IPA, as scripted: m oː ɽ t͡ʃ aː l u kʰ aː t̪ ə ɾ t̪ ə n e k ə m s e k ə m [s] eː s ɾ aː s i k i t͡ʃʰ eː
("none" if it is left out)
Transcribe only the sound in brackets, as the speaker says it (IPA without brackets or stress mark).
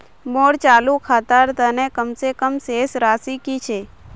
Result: s